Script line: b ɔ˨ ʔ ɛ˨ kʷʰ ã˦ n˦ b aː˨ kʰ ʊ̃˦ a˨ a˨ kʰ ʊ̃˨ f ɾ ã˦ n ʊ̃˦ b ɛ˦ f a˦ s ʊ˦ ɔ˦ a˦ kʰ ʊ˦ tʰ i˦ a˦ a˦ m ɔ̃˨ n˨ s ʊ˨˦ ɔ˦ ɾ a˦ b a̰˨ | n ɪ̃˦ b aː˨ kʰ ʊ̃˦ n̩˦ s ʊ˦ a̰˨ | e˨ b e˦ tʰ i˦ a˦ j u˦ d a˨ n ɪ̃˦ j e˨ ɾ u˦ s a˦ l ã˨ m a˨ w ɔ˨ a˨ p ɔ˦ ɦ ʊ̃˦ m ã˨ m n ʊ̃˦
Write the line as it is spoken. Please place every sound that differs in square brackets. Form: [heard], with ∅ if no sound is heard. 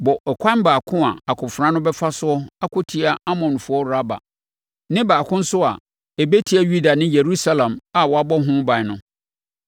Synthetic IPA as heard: b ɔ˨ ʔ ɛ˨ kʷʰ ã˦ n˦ b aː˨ kʰ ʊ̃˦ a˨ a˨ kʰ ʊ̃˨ f ɾ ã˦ n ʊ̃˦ b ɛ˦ f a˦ s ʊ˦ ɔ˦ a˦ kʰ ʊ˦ tʰ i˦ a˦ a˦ m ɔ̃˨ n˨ [f] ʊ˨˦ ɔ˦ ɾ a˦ b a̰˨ | n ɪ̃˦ b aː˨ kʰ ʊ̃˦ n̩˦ s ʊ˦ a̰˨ | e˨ b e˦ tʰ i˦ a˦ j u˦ d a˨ n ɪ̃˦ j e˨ ɾ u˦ s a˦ l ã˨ m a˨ w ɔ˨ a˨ [b] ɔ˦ ɦ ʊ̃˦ [b] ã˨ [∅] n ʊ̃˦